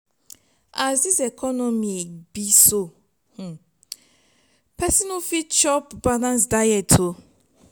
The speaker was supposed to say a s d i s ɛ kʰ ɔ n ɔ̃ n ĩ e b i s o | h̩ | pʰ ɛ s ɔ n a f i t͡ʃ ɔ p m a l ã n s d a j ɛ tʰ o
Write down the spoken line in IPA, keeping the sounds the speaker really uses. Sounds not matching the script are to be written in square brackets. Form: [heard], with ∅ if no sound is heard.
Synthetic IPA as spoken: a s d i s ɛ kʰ ɔ n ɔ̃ [m] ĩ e b i s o | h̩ | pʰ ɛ s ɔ n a f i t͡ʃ ɔ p [b] a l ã n s d a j ɛ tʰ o